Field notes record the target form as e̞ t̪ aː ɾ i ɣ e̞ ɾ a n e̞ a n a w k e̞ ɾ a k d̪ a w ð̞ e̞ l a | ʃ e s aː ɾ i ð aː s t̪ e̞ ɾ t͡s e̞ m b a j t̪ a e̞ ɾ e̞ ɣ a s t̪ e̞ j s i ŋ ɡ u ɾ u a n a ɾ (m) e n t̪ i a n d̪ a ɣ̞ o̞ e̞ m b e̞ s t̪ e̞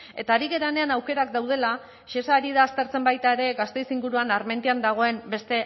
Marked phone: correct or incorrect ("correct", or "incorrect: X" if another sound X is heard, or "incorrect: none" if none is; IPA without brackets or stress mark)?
correct